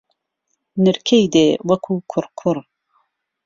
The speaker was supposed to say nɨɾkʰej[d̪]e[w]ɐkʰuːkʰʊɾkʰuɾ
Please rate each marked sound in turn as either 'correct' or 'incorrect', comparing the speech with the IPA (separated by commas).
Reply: correct, correct